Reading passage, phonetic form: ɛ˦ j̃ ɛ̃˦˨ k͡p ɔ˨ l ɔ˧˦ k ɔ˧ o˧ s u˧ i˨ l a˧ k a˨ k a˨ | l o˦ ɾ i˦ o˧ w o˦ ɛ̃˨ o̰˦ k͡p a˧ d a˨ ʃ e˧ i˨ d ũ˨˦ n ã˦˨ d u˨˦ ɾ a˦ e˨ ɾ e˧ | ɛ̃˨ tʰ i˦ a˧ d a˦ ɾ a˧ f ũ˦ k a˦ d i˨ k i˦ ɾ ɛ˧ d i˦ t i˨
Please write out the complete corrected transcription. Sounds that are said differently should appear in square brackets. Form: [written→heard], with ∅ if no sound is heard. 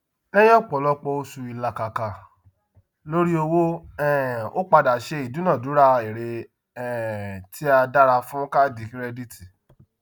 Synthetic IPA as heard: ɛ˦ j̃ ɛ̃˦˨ k͡p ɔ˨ l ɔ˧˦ [k→k͡p] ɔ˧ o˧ s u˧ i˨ l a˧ k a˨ k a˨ | l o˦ ɾ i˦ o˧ w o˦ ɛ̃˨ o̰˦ k͡p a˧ d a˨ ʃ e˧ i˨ d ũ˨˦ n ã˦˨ d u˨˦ ɾ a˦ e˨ ɾ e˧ | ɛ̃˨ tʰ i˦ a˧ d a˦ ɾ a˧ f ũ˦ k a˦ d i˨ k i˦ ɾ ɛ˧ d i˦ t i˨